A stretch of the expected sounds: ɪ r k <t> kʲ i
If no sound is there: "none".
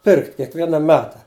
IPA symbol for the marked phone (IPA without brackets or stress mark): t